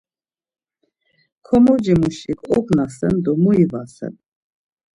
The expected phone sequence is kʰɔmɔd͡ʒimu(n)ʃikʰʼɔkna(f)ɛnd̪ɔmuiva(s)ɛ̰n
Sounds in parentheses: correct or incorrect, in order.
incorrect: none, incorrect: s, correct

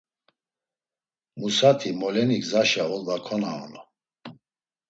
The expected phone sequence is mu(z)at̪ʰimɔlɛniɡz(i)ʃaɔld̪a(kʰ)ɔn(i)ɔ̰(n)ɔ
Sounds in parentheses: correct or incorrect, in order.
incorrect: s, incorrect: a, correct, incorrect: a, correct

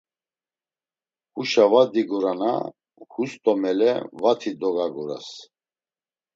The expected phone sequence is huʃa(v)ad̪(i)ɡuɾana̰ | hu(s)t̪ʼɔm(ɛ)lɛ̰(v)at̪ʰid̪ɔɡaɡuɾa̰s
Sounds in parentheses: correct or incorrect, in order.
correct, correct, correct, correct, correct

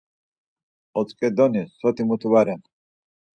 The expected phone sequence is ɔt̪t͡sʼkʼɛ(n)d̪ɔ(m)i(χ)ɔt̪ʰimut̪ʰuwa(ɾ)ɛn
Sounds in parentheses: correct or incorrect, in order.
incorrect: none, incorrect: n, incorrect: s, correct

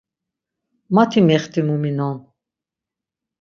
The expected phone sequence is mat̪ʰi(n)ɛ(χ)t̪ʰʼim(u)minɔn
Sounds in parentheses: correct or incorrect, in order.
incorrect: m, correct, correct

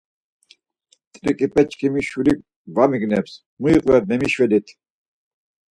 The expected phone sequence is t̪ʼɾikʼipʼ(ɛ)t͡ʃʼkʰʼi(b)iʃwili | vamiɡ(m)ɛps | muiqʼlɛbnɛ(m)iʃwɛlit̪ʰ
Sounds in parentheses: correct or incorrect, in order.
correct, incorrect: m, incorrect: n, correct

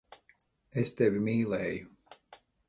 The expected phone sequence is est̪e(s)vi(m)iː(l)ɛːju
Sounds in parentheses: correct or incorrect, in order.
incorrect: none, correct, correct

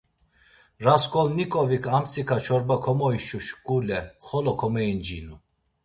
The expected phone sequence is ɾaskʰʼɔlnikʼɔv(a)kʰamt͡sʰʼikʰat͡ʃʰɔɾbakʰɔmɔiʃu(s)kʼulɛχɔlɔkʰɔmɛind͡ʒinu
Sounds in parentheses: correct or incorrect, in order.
incorrect: i, incorrect: ʃ

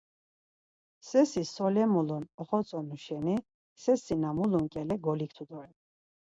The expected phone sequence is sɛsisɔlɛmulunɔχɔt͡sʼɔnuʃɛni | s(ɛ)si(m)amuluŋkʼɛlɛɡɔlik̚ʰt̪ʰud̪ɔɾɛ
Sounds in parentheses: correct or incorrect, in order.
correct, incorrect: n

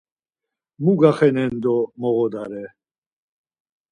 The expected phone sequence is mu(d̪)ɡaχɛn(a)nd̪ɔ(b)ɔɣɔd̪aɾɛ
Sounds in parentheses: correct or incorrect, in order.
incorrect: none, incorrect: ɛ, incorrect: m

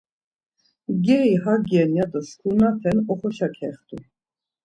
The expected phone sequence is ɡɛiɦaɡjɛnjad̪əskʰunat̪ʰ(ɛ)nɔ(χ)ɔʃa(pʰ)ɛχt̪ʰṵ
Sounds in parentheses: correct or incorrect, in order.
correct, correct, incorrect: kʰ

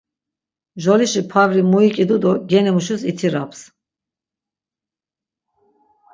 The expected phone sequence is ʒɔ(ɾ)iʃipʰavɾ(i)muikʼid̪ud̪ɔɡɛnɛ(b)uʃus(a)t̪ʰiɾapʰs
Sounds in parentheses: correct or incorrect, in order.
incorrect: l, correct, incorrect: m, incorrect: i

